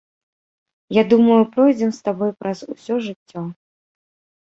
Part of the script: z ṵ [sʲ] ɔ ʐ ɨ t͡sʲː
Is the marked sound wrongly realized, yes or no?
no